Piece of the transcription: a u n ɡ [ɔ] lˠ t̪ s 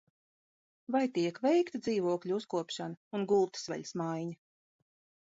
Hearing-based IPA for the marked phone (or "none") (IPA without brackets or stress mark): u